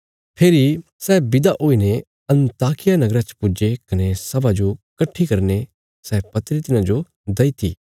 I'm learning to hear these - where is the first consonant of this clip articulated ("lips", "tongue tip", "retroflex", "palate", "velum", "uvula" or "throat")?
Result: lips